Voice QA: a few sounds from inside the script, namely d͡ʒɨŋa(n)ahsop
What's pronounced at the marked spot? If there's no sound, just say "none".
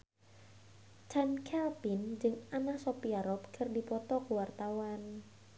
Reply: n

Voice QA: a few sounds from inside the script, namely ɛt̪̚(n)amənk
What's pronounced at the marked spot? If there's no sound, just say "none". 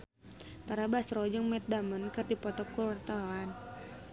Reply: d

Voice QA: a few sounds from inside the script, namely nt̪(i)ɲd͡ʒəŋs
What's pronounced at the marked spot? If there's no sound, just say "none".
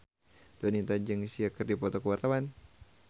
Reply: a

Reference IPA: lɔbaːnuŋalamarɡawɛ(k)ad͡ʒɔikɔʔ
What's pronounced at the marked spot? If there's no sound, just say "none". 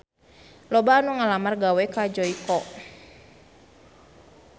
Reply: k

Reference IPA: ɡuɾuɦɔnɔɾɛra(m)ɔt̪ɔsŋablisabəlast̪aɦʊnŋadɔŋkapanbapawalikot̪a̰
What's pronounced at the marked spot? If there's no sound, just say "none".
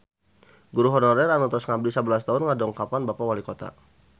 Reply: n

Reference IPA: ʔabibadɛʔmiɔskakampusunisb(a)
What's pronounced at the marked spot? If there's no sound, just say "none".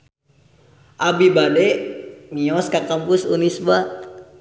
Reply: a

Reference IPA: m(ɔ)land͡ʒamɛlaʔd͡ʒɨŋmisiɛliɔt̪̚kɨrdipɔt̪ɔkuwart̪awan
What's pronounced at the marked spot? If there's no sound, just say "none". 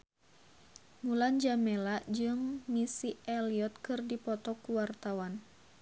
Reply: u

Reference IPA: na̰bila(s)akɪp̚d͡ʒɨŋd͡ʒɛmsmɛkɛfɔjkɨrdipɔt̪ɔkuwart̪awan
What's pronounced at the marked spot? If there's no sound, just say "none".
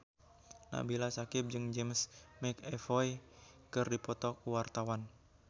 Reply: s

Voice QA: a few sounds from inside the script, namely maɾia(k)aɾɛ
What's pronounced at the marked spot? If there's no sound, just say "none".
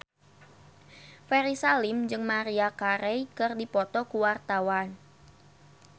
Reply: k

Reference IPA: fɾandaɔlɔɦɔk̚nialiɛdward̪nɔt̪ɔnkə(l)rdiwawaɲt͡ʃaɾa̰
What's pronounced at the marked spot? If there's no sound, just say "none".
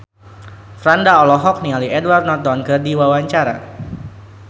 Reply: none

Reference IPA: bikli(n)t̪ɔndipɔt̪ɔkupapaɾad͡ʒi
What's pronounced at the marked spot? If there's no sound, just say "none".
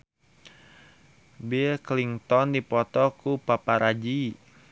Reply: ŋ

